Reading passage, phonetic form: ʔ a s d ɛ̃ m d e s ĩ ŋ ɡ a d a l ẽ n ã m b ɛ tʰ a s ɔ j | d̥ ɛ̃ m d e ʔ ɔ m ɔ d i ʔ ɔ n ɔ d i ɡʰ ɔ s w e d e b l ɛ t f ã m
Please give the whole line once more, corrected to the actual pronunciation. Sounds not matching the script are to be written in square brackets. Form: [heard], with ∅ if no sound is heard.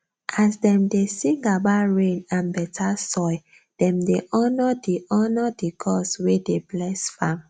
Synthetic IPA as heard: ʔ a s d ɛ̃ m d e s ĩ ŋ ɡ a [b] a [ɹ] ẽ n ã [n] b ɛ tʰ a s ɔ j | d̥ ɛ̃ m d e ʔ ɔ [n] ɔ d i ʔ ɔ n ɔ d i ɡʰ ɔ s w e d e b l ɛ [s] f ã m